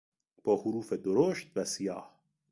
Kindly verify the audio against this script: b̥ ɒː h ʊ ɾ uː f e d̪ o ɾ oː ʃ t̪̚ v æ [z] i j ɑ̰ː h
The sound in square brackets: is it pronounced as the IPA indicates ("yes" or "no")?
no